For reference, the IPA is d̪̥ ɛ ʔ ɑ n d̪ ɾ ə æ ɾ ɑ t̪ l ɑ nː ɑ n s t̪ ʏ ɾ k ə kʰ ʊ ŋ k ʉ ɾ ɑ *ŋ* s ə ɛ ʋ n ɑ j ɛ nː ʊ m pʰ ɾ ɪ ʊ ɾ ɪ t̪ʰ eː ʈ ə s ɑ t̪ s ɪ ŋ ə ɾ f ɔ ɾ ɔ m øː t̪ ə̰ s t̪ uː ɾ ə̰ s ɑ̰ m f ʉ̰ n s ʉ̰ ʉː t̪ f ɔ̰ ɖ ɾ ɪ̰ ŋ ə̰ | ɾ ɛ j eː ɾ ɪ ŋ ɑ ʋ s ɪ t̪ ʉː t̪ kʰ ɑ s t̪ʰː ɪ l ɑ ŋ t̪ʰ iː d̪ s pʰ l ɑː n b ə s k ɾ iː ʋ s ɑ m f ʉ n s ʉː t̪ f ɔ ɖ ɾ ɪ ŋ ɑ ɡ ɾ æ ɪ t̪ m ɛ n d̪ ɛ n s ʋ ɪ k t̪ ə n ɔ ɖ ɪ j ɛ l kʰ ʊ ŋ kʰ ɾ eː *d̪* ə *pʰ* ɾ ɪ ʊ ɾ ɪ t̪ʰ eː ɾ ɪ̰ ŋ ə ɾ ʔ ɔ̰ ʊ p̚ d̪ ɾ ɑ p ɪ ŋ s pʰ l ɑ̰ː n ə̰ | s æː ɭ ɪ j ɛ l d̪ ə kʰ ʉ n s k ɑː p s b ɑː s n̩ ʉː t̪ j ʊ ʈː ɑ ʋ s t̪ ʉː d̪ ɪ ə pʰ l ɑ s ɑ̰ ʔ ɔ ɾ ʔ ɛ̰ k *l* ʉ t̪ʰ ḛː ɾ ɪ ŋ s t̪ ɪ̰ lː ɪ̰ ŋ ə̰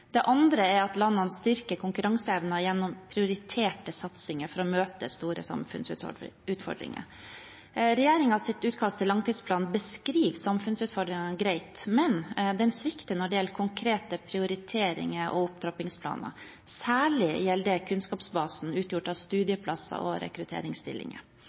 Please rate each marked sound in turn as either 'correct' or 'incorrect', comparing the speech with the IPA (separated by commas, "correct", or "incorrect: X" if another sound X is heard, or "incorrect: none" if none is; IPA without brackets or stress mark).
correct, incorrect: t̪, correct, incorrect: ɾ